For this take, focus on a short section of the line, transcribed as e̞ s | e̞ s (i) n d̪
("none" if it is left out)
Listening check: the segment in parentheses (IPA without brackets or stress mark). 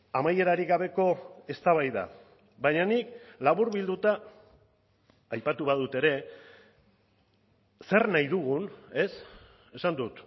a